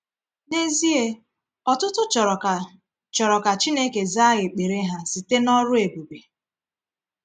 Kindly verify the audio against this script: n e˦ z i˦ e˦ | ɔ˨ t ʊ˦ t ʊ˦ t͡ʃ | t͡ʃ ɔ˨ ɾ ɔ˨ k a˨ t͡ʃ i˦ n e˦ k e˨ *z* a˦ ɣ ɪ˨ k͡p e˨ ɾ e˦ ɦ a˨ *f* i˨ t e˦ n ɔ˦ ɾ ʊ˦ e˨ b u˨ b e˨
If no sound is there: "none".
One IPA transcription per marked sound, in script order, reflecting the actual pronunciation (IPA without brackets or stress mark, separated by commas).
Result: z, s